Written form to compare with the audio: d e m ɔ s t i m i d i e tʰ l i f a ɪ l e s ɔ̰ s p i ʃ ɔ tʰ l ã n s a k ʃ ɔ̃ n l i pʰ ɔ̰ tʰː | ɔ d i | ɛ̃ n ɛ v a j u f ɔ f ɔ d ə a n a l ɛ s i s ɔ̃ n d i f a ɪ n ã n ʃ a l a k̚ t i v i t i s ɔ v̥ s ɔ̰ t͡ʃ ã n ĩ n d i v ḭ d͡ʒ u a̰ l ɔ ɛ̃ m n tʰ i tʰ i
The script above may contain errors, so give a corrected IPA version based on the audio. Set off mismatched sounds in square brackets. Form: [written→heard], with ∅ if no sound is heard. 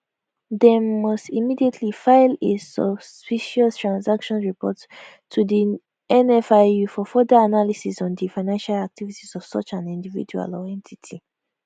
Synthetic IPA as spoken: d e m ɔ s t i m i d i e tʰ l i f a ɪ l e s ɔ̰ s p i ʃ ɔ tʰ [l→ɹ] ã n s a k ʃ ɔ̃ n [l→ɹ] i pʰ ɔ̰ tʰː | [ɔ→u] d i | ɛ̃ n ɛ [v→f] a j u f ɔ f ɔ d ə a n a l [ɛ→i] s i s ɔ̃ n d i f a ɪ n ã n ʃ a l a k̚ t i v i t i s ɔ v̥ s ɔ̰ t͡ʃ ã n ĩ n d i v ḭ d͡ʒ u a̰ l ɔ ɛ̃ [m→∅] n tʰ i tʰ i